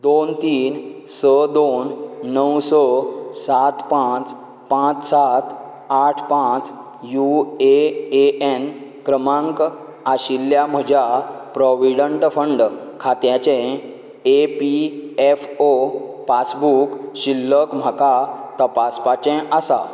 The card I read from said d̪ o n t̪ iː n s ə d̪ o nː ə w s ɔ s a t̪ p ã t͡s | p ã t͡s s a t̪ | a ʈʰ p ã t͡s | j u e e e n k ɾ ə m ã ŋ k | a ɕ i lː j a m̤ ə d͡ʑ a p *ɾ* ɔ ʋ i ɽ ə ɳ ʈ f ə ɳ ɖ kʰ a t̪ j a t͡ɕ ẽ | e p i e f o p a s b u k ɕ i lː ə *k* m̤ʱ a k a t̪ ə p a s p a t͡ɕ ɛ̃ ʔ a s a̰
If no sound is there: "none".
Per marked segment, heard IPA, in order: ɾ, k

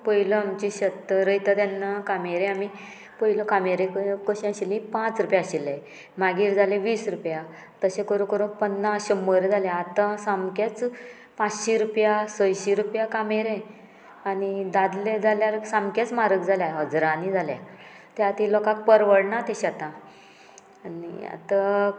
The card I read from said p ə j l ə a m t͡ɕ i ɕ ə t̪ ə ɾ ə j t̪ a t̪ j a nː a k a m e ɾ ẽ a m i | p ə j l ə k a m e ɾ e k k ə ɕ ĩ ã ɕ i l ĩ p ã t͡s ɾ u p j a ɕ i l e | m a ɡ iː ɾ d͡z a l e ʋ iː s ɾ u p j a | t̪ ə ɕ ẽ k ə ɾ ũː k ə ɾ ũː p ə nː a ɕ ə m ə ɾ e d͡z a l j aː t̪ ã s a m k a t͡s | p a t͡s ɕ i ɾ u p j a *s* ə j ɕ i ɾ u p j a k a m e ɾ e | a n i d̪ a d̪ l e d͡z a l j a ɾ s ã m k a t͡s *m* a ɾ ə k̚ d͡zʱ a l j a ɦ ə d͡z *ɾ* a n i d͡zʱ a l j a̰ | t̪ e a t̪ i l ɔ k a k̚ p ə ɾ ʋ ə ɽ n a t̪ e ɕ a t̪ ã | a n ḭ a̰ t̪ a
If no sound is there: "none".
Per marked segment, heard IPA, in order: s, m, ɾ

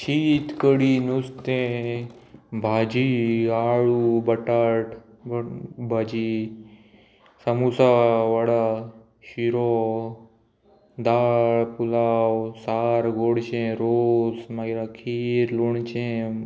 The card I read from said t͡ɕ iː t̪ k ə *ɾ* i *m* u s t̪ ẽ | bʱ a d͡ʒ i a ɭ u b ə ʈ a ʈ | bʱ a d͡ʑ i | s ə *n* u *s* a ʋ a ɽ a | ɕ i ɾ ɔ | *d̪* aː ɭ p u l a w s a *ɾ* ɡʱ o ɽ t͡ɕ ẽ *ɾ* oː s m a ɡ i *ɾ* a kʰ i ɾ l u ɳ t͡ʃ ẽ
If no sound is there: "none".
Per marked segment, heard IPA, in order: ɽ, n, m, s, d̪, ɾ, ɾ, ɾ

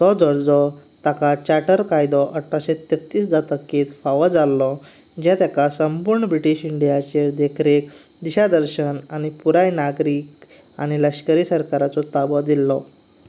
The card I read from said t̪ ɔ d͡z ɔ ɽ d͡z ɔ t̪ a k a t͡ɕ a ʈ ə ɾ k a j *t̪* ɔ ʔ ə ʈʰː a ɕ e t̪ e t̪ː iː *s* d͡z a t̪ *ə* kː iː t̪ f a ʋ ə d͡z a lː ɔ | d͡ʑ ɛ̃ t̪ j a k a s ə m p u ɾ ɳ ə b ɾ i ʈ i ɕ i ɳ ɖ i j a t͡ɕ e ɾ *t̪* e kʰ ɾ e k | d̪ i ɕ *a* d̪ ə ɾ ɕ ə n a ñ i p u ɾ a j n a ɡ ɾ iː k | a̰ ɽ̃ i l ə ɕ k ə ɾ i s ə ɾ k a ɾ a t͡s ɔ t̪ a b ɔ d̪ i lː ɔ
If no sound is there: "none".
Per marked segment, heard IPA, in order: d̪, s, ə, d̪, a

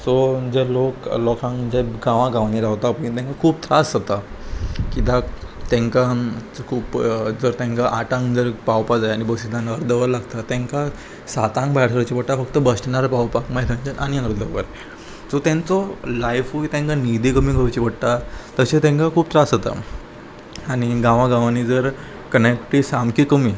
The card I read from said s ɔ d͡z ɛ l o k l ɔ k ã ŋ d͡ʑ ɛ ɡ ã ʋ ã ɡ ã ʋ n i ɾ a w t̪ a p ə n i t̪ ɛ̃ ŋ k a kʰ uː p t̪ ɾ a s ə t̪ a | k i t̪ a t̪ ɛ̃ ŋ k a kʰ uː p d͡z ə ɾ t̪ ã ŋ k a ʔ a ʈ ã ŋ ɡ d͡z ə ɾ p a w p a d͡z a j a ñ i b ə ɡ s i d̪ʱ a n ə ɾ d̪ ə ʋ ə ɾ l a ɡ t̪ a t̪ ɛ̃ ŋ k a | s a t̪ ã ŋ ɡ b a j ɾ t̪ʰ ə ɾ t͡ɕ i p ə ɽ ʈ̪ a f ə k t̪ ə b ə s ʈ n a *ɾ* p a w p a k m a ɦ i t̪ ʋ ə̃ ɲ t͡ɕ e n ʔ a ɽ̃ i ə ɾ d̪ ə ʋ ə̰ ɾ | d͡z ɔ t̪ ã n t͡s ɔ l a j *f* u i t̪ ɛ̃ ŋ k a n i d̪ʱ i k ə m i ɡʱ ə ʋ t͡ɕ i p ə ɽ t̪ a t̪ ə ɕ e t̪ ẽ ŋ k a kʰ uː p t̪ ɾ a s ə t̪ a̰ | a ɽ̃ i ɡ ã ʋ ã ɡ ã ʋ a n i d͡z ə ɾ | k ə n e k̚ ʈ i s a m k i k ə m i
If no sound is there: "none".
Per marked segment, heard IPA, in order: ɾ, f

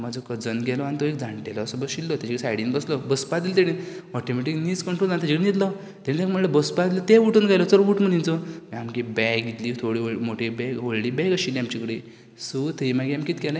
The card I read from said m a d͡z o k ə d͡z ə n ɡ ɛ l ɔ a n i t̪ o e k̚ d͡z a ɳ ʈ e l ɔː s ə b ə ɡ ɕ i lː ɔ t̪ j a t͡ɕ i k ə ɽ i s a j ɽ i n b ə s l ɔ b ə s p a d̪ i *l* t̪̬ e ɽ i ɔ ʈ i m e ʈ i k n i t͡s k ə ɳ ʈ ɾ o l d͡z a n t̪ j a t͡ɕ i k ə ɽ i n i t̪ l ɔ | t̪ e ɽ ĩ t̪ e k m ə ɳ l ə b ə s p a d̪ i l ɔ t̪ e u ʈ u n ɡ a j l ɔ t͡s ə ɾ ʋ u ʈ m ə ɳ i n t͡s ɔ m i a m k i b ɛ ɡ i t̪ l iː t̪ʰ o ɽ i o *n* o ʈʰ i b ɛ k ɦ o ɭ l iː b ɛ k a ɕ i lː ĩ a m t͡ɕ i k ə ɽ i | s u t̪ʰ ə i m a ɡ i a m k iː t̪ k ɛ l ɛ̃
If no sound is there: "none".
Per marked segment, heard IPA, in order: l, m

